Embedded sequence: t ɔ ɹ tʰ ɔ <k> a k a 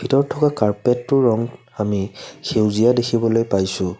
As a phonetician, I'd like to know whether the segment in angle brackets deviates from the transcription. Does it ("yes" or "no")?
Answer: no